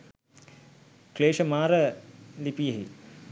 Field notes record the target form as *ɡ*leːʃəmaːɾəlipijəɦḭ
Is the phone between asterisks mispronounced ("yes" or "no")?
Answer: yes